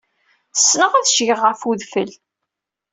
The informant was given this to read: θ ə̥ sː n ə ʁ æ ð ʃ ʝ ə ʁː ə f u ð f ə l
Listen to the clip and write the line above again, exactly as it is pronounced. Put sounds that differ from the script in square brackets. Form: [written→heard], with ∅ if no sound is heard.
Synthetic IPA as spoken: θ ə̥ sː n ə ʁ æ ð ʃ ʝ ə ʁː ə f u ð f ə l